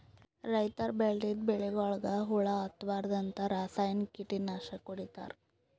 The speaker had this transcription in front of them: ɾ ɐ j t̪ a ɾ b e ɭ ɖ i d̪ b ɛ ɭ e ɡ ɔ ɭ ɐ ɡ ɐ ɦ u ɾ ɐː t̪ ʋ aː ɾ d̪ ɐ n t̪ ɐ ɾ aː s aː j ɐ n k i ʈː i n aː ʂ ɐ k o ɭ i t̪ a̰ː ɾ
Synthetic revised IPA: ɾ ɐ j t̪ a ɾ b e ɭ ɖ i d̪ b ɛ ɭ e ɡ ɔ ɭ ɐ ɡ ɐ ɦ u ɭ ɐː t̪ ʋ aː ɾ d̪ ɐ n t̪ ɐ ɾ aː s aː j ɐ n k i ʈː i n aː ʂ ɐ k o ɽ i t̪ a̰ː ɾ

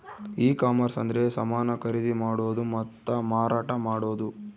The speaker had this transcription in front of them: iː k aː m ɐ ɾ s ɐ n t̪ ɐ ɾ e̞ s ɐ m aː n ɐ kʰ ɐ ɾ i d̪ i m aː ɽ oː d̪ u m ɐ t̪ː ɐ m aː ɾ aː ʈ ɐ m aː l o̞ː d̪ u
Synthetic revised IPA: iː k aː m ɐ ɾ s ɐ n d̪ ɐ ɾ e̞ s ɐ m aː n ɐ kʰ ɐ ɾ i d̪ i m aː ɽ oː d̪ u m ɐ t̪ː ɐ m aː ɾ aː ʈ ɐ m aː ɽ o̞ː d̪ u

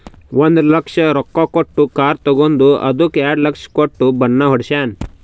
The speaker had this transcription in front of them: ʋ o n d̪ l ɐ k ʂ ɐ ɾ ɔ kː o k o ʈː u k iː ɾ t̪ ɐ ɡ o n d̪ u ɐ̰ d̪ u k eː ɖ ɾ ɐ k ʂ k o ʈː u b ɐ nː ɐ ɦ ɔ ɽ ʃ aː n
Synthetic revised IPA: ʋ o n d̪ l ɐ k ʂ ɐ ɾ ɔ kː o k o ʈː u k aː ɾ t̪ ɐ ɡ o n d̪ u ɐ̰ d̪ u k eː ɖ l ɐ k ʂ k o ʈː u b ɐ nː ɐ ɦ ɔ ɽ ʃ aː n

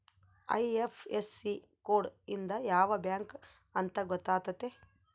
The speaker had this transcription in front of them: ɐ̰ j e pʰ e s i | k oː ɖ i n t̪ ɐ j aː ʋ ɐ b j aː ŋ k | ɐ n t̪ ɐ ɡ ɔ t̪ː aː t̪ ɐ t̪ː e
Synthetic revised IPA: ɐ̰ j e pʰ e s i | k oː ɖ i n d̪ ɐ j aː ʋ ɐ b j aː ŋ k | ɐ n t̪ ɐ ɡ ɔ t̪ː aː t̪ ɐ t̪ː e

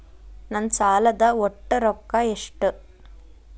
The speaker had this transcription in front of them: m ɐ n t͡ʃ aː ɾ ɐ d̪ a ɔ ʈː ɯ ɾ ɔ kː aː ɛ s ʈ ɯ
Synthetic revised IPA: n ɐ n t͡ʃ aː l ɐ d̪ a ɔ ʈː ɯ ɾ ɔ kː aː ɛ ʂ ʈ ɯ

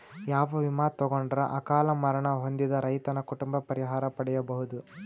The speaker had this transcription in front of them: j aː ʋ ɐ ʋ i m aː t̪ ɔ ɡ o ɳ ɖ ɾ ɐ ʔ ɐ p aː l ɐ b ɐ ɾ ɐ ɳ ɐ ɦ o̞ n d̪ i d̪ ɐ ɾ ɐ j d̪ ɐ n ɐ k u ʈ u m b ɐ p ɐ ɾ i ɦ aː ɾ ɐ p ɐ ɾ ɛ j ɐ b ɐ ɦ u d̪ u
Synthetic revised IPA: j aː ʋ ɐ ʋ i m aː t̪ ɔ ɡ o ɳ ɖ ɾ ɐ ʔ ɐ k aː l ɐ m ɐ ɾ ɐ ɳ ɐ ɦ o̞ n d̪ i d̪ ɐ ɾ ɐ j t̪ ɐ n ɐ k u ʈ u m b ɐ p ɐ ɾ i ɦ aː ɾ ɐ p ɐ ɽ ɛ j ɐ b ɐ ɦ u d̪ u

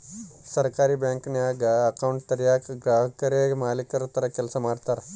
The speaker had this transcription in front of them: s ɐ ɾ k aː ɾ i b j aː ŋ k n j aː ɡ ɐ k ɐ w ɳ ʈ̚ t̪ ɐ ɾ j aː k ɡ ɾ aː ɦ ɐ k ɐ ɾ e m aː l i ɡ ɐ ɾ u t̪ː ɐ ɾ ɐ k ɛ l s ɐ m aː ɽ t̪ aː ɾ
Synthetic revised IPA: s ɐ ɾ k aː ɾ i b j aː ŋ k n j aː ɡ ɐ k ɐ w ɳ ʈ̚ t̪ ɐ ɾ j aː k ɡ ɾ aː ɦ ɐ k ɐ ɾ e m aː l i k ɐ ɾ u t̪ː ɐ ɾ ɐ k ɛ l s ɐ m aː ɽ t̪ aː ɾ

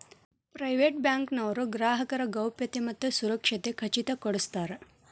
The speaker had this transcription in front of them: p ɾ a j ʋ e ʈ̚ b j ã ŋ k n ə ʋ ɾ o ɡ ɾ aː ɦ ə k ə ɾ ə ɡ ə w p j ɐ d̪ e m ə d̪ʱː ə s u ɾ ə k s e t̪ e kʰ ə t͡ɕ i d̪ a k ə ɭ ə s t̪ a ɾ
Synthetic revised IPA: p ɾ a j ʋ e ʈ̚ b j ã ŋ k n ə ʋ ɾ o ɡ ɾ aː ɦ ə k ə ɾ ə ɡ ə w p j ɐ t̪ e m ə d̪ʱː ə s u ɾ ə k ʂ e t̪ e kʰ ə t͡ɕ i t̪ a k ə ɽ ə s t̪ a ɾ

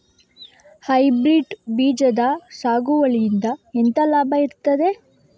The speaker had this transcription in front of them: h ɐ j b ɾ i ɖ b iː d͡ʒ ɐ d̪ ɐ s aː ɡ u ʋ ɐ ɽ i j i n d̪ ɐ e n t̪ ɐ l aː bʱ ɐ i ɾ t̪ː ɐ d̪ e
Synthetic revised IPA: h ɐ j b ɾ i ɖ b iː d͡ʒ ɐ d̪ ɐ s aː ɡ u ʋ ɐ ɭ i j i n d̪ ɐ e n t̪ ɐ l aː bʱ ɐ i ɾ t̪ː ɐ d̪ e

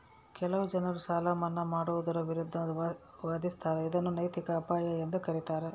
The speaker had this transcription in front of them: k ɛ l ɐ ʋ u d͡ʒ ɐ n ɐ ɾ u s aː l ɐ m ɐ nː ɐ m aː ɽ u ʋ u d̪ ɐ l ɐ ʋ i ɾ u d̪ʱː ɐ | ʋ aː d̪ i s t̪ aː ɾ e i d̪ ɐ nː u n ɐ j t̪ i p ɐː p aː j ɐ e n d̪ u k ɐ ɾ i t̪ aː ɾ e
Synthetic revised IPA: k ɛ l ɐ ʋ u d͡ʒ ɐ n ɐ ɾ u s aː l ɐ m ɐ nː ɐ m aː ɽ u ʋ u d̪ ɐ ɾ ɐ ʋ i ɾ u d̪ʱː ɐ | ʋ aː d̪ i s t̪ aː ɾ e i d̪ ɐ nː u n ɐ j t̪ i k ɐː p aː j ɐ e n d̪ u k ɐ ɾ i t̪ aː ɾ e

